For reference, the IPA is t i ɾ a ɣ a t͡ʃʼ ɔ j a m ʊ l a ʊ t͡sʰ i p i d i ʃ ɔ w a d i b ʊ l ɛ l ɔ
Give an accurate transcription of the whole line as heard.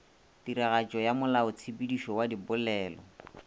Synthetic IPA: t i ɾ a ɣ a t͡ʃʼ ɔ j a m ʊ l a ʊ t͡sʰ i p i d i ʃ ɔ w a d i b ʊ l ɛː l ɔ